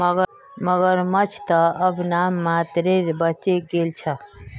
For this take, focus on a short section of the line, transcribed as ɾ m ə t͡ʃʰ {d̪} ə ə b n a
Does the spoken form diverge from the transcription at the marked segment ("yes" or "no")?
yes